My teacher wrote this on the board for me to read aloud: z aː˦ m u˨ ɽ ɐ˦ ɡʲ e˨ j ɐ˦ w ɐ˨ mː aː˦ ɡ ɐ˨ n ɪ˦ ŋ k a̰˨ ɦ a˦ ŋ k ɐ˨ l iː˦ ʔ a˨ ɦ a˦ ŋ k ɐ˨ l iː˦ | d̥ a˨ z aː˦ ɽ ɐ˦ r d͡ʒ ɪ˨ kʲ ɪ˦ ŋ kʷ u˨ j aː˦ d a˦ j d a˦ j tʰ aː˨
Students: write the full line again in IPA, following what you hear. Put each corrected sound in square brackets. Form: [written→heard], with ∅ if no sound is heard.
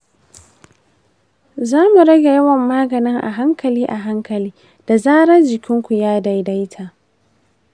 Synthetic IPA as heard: z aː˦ m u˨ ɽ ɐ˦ ɡʲ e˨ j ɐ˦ w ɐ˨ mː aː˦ ɡ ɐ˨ n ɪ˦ ŋ [k→ʔ] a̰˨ ɦ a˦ ŋ k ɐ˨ l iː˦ ʔ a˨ ɦ a˦ ŋ k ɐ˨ l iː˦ | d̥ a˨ z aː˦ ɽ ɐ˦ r d͡ʒ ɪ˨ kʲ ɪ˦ ŋ kʷ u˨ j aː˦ d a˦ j d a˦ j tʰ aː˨